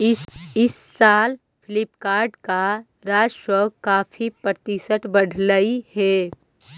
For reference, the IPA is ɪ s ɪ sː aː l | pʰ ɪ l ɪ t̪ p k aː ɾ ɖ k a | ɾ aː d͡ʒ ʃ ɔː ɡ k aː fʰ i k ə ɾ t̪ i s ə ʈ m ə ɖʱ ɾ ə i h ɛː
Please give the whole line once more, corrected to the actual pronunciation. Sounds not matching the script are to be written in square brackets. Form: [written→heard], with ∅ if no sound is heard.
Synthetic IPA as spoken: ɪ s ɪ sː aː l | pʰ ɪ l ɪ [t̪→∅] p k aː ɾ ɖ k a | ɾ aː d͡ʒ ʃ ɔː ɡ k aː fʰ i [k→p] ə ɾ t̪ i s ə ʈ [m→b] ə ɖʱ [ɾ→l] ə i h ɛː